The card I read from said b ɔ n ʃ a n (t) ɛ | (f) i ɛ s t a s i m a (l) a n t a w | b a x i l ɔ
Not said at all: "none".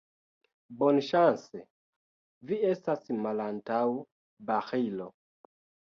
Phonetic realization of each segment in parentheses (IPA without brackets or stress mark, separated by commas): s, v, l